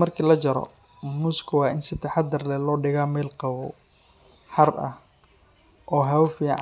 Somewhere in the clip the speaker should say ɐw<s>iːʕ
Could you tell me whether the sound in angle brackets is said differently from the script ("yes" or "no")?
yes